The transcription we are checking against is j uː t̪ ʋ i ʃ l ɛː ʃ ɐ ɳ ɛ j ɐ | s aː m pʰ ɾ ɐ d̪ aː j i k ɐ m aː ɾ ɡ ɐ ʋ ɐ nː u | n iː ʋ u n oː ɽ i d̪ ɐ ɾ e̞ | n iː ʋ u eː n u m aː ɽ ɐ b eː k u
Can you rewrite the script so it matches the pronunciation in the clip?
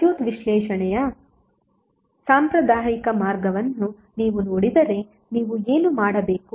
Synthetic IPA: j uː t̪ ʋ i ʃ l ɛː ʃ ɐ ɳ ɛ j ɐ | s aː m p ɾ ɐ d̪ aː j i k ɐ m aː ɾ ɡ ɐ ʋ ɐ nː u | n iː ʋ u n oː ɽ i d̪ ɐ ɾ e̞ | n iː ʋ u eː n u m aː ɽ ɐ b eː k u